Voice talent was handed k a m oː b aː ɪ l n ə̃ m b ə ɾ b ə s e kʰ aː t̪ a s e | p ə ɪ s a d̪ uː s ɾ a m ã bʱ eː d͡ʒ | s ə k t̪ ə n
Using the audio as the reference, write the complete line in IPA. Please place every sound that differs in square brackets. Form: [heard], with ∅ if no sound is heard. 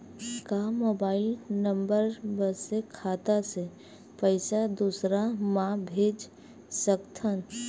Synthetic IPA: k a m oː b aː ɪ l n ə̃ m b ə ɾ b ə s e kʰ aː t̪ a s e | p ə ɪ s a d̪ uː s ɾ a m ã bʱ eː d͡ʒ | s ə k [t̪ʰ] ə n